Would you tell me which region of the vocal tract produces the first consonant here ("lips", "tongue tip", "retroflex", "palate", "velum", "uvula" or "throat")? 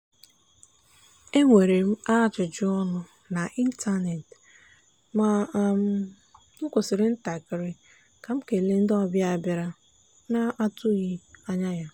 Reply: velum